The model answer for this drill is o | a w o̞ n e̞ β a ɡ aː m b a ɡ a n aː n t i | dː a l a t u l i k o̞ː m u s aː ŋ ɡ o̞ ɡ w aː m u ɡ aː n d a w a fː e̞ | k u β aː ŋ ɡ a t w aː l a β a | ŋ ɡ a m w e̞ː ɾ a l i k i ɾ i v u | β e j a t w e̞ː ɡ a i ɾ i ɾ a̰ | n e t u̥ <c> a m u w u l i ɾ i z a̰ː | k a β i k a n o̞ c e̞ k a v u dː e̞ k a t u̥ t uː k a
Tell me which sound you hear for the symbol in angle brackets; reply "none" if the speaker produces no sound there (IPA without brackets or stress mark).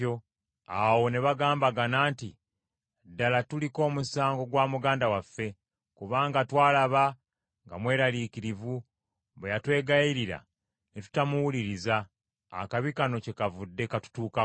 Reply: t